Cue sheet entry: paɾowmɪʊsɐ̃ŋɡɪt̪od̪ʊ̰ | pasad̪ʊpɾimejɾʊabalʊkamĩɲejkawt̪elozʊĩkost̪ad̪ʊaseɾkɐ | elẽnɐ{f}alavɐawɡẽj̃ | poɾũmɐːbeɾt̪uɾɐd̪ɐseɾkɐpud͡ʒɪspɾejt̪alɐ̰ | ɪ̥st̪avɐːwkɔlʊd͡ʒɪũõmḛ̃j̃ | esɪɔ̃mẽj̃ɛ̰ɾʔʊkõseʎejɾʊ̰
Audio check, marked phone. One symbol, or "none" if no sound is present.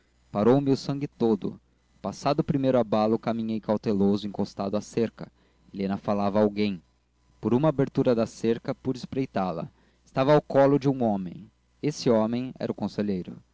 f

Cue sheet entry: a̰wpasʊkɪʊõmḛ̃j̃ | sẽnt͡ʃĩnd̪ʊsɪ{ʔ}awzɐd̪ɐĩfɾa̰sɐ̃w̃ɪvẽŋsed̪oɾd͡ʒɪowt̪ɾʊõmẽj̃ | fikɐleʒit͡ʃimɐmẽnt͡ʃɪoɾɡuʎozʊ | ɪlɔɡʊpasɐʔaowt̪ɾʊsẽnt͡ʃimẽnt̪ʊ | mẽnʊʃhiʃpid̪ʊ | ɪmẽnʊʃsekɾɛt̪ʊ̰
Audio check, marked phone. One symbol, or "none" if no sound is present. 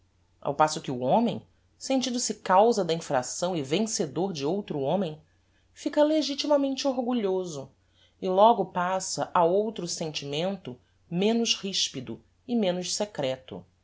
k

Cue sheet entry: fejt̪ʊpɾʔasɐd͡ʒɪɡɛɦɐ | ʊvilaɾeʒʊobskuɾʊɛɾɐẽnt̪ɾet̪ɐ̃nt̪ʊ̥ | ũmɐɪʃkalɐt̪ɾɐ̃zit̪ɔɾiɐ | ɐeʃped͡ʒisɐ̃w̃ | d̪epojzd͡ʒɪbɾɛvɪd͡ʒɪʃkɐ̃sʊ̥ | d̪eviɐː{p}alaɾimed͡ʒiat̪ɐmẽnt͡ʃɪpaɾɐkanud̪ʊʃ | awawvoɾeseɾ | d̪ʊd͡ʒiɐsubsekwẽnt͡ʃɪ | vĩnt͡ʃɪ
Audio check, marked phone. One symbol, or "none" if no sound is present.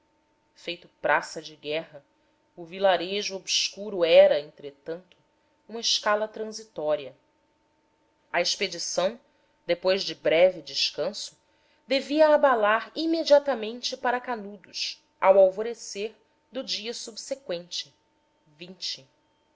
b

